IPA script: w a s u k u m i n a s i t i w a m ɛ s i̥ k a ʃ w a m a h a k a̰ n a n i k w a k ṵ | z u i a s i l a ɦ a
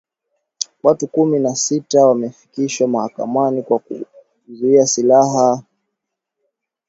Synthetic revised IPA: w a t u k u m i n a s i t a w a m ɛ f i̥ k i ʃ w a m a h a k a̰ m a n i k w a k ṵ | z u i a s i l a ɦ a